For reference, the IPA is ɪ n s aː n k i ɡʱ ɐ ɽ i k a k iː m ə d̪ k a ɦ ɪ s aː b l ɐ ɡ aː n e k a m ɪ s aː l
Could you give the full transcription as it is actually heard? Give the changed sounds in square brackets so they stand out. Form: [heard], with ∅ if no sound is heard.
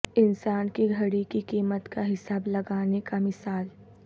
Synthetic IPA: ɪ n s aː n k i ɡʱ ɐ ɽ i k [i] k iː m ə [t̪] k a ɦ ɪ s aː b l ɐ ɡ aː n e k a m ɪ s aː l